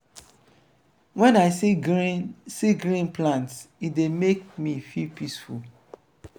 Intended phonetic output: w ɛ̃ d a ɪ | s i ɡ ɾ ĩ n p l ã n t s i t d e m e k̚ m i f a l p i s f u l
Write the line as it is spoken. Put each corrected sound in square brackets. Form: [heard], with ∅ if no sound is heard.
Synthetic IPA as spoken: w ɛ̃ [n] a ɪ | s i ɡ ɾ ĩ n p l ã n t s i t d e m e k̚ m i f [i] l p i s f u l